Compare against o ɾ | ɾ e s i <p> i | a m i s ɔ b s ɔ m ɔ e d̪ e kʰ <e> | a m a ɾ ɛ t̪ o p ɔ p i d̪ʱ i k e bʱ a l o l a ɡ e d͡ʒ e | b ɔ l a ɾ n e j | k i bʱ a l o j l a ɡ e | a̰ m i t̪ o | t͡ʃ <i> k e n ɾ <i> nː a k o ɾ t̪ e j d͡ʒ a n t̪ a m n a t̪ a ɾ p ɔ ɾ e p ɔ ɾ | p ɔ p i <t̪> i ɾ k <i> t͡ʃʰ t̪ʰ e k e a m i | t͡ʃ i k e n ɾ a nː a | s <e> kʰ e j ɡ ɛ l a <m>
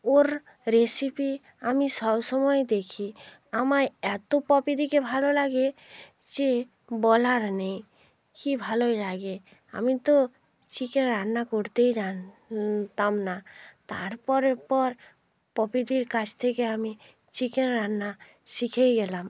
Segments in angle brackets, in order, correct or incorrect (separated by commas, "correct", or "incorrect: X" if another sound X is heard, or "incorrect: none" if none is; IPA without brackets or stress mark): correct, incorrect: i, correct, incorrect: a, incorrect: d̪, incorrect: a, incorrect: i, correct